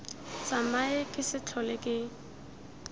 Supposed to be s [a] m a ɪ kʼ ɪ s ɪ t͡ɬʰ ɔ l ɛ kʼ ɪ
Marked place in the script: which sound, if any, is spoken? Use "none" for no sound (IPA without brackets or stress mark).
a